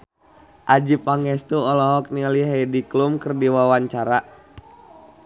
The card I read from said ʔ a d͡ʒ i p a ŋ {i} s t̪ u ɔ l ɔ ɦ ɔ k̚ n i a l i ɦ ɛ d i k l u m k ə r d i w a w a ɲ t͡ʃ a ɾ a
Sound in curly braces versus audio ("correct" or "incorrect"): incorrect